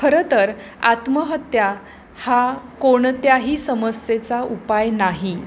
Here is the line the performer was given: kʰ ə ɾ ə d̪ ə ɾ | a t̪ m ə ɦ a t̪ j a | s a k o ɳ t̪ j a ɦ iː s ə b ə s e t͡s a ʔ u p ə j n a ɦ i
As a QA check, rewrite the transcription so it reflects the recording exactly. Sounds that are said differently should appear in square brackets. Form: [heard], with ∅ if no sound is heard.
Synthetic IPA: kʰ ə ɾ ə [t̪] ə ɾ | a t̪ m ə ɦ [ə] t̪ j a | [h] a k o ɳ t̪ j a ɦ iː s ə [m] ə s e t͡s a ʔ u p [a] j n a ɦ i